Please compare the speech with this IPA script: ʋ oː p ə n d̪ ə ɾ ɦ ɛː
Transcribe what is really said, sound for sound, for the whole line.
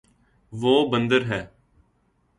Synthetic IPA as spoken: ʋ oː b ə n d̪ ə ɾ ɦ ɛː